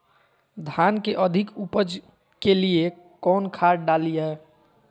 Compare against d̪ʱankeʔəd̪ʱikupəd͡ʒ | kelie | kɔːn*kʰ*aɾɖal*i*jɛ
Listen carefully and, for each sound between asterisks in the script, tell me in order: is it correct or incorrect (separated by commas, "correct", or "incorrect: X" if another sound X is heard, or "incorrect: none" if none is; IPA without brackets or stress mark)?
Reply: correct, correct